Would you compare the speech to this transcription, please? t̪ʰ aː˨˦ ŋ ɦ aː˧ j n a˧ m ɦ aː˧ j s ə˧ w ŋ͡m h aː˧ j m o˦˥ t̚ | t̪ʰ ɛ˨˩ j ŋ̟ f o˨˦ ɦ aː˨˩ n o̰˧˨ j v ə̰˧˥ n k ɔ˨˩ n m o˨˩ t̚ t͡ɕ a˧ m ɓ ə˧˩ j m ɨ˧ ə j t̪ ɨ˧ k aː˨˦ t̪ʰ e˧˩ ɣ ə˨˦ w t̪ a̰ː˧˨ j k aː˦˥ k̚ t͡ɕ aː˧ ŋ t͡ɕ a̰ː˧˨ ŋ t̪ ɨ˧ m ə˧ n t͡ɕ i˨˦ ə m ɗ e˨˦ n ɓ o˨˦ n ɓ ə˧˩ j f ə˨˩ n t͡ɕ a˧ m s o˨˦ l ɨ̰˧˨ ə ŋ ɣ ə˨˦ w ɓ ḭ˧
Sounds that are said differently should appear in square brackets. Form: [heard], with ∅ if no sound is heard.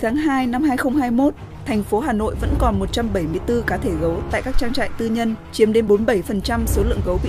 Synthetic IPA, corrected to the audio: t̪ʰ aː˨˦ ŋ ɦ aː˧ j n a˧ m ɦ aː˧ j [x] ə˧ w ŋ͡m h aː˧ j m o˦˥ t̚ | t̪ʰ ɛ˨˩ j ŋ̟ f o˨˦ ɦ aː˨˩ n o̰˧˨ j v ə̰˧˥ n k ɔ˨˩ n m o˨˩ t̚ t͡ɕ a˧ m ɓ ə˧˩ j m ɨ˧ ə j t̪ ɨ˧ k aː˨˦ t̪ʰ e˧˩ ɣ ə˨˦ w t̪ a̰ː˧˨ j k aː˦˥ k̚ t͡ɕ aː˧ ŋ t͡ɕ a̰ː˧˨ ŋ t̪ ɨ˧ [ɲ] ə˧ n t͡ɕ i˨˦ ə m ɗ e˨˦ n ɓ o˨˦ n ɓ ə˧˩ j f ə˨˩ n t͡ɕ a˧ m s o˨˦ l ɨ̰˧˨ ə ŋ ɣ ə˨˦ w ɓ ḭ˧